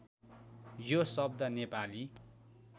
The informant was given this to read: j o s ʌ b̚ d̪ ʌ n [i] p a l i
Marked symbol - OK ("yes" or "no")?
no